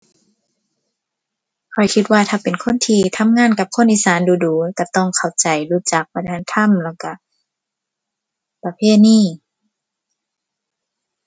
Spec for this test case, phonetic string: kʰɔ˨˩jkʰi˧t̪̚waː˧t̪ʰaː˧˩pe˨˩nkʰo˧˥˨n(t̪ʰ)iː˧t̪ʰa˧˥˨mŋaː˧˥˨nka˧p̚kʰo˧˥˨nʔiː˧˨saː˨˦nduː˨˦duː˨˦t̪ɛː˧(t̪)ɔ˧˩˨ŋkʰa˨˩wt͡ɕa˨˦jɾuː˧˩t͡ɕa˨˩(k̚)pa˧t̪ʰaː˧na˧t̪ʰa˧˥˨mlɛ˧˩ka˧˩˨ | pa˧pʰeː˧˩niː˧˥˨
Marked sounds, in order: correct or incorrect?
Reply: correct, correct, correct

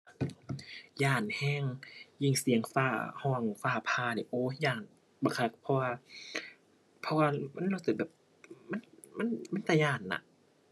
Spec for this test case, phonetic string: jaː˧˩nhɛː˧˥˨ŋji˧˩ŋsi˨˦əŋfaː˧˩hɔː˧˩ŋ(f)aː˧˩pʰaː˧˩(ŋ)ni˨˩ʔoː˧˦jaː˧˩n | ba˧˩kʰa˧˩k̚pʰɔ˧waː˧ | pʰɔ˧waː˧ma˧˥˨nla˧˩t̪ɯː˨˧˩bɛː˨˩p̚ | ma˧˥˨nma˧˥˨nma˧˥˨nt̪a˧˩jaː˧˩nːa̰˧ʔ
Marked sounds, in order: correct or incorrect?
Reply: correct, incorrect

